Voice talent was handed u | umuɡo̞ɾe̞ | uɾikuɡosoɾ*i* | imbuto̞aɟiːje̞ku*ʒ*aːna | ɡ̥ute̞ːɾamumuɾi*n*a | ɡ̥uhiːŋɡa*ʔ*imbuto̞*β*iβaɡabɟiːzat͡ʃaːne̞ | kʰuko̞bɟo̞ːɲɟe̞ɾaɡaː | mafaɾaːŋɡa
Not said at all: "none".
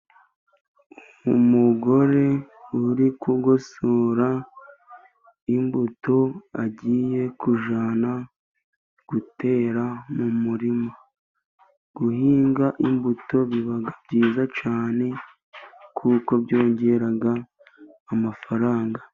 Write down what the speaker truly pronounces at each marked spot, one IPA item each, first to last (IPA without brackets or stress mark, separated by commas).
a, ʒ, m, ʔ, β